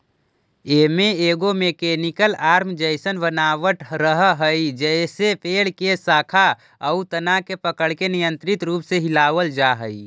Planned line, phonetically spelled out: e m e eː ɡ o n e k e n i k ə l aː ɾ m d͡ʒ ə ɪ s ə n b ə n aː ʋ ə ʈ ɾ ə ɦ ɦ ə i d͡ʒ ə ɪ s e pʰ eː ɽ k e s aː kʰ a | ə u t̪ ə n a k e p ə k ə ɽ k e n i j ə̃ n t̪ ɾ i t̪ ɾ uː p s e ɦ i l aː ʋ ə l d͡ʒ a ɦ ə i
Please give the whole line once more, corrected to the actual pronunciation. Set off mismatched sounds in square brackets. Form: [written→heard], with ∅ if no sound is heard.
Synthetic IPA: e m e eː ɡ o [n→m] e k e n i k ə l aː ɾ m d͡ʒ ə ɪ s ə n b ə n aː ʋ ə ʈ ɾ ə ɦ ɦ ə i d͡ʒ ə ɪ s e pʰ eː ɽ k e s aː kʰ a | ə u t̪ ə n a k e p ə k ə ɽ k e n i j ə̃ n t̪ ɾ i t̪ ɾ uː p s e ɦ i l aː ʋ ə l d͡ʒ a ɦ ə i

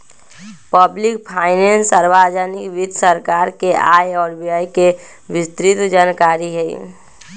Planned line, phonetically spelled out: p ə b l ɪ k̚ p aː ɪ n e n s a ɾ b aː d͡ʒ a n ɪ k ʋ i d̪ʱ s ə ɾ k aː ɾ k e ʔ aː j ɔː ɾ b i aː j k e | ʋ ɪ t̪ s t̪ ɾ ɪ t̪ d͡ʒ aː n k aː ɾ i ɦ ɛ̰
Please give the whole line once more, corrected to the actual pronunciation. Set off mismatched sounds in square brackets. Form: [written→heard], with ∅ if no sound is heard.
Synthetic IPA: p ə b l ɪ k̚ [p→pʰ] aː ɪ n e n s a ɾ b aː d͡ʒ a n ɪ k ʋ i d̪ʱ s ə ɾ k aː ɾ k e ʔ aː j ɔː ɾ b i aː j k e | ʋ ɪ [t̪→∅] s t̪ ɾ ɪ t̪ d͡ʒ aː n k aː ɾ i ɦ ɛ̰

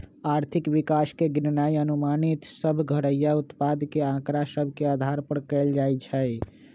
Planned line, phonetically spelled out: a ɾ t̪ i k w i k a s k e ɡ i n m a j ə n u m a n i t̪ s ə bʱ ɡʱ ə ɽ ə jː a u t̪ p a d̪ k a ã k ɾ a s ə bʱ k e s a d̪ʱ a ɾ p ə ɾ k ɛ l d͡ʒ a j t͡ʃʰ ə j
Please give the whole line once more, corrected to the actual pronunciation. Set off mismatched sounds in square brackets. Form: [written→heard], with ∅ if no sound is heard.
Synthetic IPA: a ɾ [t̪→t̪ʰ] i k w i k a s k e ɡ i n [m→n] a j ə n u m a n i t̪ s ə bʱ ɡʱ ə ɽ ə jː a u t̪ p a d̪ k [a→e] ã k ɾ a s ə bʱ k e [s→∅] a d̪ʱ a ɾ p ə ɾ k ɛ l d͡ʒ a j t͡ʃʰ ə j

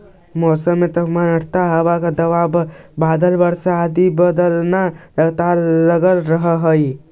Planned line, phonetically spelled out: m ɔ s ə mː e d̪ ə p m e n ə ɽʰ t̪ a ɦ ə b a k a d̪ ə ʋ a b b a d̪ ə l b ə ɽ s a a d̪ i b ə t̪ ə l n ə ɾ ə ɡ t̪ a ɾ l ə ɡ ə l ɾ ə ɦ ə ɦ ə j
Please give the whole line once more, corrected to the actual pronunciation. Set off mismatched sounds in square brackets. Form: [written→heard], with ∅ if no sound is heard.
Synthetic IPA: m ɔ s ə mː e [d̪→t̪] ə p m [e→a] n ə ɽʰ t̪ a ɦ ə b a k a d̪ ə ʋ a b b a d̪ ə l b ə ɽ s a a d̪ i b ə [t̪→d̪] ə l n [ə→a] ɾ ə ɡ t̪ a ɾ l ə ɡ ə l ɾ ə ɦ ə ɦ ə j

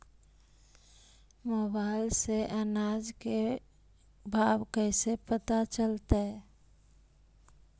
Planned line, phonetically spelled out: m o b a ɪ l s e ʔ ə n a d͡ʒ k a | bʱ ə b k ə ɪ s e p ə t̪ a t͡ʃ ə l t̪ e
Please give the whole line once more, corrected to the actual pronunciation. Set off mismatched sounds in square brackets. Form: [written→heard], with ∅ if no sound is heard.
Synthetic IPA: m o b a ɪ l s e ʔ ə n a d͡ʒ k [a→e] | bʱ [ə→a] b k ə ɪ s e p ə t̪ a t͡ʃ ə l t̪ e

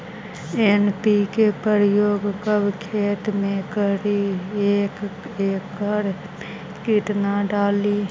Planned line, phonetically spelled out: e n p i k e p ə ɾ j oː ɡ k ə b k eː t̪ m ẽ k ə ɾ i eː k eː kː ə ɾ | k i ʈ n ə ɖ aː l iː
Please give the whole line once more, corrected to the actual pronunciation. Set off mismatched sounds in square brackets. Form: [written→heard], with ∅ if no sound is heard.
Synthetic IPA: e n p i k e p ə ɾ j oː ɡ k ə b [k→kʰ] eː t̪ m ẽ k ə ɾ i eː k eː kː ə ɾ | k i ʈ n [ə→a] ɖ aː l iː

